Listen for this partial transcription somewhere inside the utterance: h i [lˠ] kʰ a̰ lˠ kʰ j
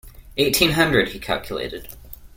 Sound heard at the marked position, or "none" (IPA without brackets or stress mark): none